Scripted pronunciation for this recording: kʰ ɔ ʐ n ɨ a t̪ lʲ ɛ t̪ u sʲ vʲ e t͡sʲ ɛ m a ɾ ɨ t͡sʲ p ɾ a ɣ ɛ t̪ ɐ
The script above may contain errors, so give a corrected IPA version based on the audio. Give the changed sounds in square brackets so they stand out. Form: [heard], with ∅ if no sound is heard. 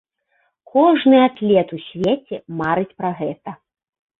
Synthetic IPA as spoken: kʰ ɔ ʐ n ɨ a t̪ lʲ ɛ t̪ u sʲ vʲ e t͡sʲ ɛ m a ɾ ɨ t͡sʲ p ɾ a ɣ ɛ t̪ ɐ

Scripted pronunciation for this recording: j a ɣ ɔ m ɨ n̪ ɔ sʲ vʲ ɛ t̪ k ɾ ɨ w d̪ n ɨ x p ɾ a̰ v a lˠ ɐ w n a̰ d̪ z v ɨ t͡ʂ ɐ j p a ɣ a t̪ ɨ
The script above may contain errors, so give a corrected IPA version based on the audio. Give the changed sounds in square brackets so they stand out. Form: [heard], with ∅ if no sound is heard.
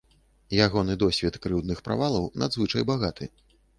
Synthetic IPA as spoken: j a ɣ ɔ [n] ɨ [d̪] ɔ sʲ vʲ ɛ t̪ k ɾ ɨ w d̪ n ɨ x p ɾ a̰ v a lˠ ɐ w n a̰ d̪ z v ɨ t͡ʂ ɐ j [b] a ɣ a t̪ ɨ

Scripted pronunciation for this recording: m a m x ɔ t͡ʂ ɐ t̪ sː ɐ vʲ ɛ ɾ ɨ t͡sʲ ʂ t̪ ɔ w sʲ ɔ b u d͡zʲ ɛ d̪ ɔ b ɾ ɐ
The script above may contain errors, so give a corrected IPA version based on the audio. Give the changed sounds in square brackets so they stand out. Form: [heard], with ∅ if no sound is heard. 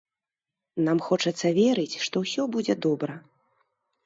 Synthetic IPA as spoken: [n] a m x ɔ t͡ʂ ɐ t̪ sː ɐ vʲ ɛ ɾ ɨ t͡sʲ ʂ t̪ ɔ w sʲ ɔ b u d͡zʲ ɛ d̪ ɔ b ɾ ɐ

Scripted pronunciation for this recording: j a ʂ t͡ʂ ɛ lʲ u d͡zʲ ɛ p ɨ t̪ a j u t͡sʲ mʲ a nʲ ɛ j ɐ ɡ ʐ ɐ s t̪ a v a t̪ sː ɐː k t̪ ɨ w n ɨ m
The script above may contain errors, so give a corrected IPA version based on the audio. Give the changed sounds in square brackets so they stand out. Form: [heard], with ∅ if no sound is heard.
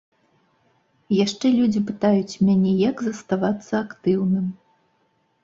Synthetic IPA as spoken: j a ʂ t͡ʂ ɛ lʲ u d͡zʲ [i] p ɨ t̪ a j u t͡sʲ mʲ a nʲ ɛ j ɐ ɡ [z] ɐ s t̪ a v a t̪ sː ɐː k t̪ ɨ w n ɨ m

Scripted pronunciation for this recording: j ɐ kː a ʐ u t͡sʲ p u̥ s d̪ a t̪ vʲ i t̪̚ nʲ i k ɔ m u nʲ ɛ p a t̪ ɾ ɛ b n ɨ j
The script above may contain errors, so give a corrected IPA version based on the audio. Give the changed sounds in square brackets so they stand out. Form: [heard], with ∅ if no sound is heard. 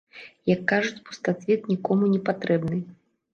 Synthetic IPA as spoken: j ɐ kː a ʐ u t͡sʲ p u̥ s [t̪] a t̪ vʲ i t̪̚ nʲ i k ɔ m u nʲ ɛ p a t̪ ɾ ɛ b n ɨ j

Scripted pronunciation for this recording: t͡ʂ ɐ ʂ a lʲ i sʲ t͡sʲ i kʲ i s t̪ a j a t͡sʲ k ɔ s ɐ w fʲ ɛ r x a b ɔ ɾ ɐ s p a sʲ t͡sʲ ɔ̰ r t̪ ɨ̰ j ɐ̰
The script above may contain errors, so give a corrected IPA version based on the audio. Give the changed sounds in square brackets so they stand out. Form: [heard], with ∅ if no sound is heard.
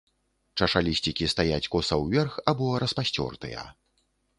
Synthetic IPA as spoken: t͡ʂ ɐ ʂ a lʲ i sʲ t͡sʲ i kʲ i s t̪ a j a t͡sʲ k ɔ s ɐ w [vʲ] ɛ r x a b ɔ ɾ ɐ s p a sʲ t͡sʲ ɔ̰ r t̪ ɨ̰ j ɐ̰

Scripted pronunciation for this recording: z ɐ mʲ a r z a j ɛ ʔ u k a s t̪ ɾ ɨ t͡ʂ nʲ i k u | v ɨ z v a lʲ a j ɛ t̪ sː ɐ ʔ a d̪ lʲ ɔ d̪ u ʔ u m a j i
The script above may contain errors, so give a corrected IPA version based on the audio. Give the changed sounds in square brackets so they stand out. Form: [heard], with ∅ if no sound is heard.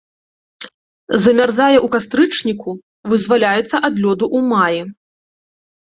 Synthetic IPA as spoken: z ɐ mʲ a r z a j ɛ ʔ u k a s t̪ ɾ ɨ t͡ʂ nʲ i k u | v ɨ z v a lʲ a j ɛ t̪ sː ɐ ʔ a d̪ lʲ ɔ d̪ u ʔ u m a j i

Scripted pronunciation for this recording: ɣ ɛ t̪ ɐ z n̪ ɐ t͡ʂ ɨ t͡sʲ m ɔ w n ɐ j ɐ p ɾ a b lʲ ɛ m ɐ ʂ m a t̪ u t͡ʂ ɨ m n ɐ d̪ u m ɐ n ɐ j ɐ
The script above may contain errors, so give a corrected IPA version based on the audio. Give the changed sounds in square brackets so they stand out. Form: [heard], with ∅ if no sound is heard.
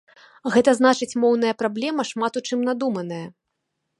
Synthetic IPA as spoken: ɣ ɛ t̪ ɐ z n̪ [a] t͡ʂ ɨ t͡sʲ m ɔ w n ɐ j ɐ p ɾ a b lʲ ɛ m ɐ ʂ m a t̪ u t͡ʂ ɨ m n [a] d̪ u m ɐ n ɐ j ɐ

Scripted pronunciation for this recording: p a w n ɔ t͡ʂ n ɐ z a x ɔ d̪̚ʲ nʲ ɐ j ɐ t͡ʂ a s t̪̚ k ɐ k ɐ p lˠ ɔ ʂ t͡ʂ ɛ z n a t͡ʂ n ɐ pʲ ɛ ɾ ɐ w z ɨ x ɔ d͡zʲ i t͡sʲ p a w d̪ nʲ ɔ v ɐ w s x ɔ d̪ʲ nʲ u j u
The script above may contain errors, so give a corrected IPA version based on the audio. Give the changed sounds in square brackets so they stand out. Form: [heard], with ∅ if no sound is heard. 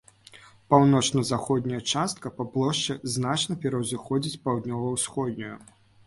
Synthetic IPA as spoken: p a w n ɔ t͡ʂ n ɐ z a x ɔ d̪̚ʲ nʲ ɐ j ɐ t͡ʂ a s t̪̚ k ɐ [p] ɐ p lˠ ɔ ʂ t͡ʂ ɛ z n a t͡ʂ n ɐ pʲ ɛ ɾ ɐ w z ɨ x ɔ d͡zʲ i t͡sʲ p a w d̪ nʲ ɔ v ɐ w s x ɔ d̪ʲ nʲ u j u

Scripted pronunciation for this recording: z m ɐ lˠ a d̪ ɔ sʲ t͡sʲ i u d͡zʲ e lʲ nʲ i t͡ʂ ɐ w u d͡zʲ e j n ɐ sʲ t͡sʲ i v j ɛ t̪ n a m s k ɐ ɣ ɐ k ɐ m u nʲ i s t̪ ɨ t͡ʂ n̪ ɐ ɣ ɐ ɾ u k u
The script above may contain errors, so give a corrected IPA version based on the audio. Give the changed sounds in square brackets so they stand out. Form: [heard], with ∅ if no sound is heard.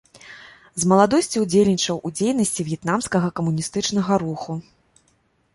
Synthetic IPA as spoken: z m ɐ lˠ a d̪ ɔ sʲ t͡sʲ i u d͡zʲ e lʲ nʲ i t͡ʂ ɐ w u d͡zʲ e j n ɐ sʲ t͡sʲ i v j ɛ t̪ n a m s k ɐ ɣ ɐ k ɐ m u nʲ i s t̪ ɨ t͡ʂ n̪ ɐ ɣ ɐ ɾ u [x] u

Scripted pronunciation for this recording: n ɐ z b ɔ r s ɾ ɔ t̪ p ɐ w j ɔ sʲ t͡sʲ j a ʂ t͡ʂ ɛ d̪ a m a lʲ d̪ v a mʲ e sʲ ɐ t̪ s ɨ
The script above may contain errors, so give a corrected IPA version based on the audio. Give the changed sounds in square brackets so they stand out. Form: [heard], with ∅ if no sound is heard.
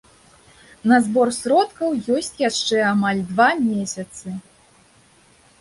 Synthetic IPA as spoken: n ɐ z b ɔ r s ɾ ɔ t̪ [k] ɐ w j ɔ sʲ t͡sʲ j a ʂ t͡ʂ ɛ [∅] a m a lʲ d̪ v a mʲ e sʲ ɐ t̪ s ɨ

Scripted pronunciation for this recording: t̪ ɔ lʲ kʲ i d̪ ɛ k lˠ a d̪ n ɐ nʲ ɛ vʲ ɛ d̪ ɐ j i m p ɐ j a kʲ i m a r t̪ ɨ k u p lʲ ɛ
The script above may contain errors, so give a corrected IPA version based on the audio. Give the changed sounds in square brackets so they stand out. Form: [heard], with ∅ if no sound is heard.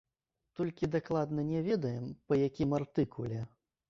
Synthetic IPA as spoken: t̪ ɔ lʲ kʲ i d̪ [a] k lˠ a d̪ n ɐ nʲ ɛ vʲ ɛ d̪ ɐ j [ɛ] m p ɐ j a kʲ i m a r t̪ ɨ k u [∅] lʲ ɛ

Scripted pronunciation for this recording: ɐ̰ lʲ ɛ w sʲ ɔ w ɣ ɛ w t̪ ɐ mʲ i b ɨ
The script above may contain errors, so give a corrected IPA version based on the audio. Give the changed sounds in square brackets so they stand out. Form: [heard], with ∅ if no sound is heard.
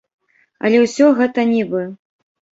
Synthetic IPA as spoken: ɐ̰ lʲ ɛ w sʲ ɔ [∅] ɣ ɛ [∅] t̪ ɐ [nʲ] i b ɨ

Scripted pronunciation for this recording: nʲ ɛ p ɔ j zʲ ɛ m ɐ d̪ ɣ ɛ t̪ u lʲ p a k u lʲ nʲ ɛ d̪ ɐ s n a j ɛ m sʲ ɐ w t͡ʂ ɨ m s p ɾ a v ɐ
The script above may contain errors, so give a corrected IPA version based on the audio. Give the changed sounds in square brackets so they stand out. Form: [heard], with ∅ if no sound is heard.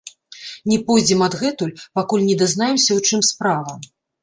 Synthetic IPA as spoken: nʲ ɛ p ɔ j [d͡zʲ] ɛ m ɐ d̪ ɣ ɛ t̪ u lʲ p a k u lʲ nʲ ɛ d̪ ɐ [z] n a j ɛ m sʲ ɐ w t͡ʂ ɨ m s p ɾ a v ɐ

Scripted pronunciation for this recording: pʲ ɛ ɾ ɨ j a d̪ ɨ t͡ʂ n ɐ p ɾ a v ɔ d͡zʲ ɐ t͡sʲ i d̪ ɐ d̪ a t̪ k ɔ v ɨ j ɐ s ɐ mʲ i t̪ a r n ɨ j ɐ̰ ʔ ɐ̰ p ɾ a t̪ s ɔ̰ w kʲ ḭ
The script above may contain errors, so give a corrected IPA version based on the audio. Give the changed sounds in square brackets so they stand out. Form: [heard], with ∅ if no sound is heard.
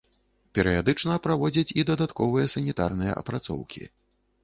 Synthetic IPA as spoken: pʲ ɛ ɾ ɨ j a d̪ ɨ t͡ʂ n ɐ p ɾ a v ɔ d͡zʲ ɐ t͡sʲ i d̪ ɐ d̪ a t̪ k ɔ v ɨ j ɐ s ɐ [nʲ] i t̪ a r n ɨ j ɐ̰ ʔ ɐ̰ p ɾ a t̪ s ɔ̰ w kʲ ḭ

